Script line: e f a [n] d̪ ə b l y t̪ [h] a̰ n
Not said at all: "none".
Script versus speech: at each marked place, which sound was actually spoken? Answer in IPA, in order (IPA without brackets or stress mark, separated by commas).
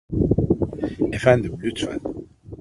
n, f